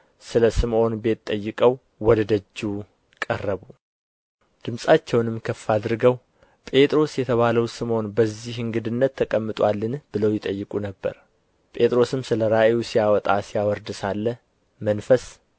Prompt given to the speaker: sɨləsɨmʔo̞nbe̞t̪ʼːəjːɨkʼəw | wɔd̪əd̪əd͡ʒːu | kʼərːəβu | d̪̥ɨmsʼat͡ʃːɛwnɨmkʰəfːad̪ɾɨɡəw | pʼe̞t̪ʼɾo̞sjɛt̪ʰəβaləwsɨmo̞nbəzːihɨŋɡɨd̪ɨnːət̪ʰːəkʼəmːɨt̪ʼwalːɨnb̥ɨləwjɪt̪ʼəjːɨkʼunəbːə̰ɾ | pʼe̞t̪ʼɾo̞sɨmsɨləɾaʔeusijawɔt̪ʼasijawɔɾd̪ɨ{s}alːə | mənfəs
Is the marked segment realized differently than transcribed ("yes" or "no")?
no